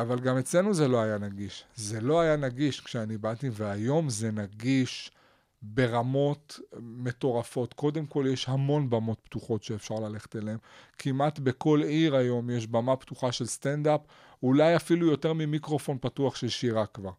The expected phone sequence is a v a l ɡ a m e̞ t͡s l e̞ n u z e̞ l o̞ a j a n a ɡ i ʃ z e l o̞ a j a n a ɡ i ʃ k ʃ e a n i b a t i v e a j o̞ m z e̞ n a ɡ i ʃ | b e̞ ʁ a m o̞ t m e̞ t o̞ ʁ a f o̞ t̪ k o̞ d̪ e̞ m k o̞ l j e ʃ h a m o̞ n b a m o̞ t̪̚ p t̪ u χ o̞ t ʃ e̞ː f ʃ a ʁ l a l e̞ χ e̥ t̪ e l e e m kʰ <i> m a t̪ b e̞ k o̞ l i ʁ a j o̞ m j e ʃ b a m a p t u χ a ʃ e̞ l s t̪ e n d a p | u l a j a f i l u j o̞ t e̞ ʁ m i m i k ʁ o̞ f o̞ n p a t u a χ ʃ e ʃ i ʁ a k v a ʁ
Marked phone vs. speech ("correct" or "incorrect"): correct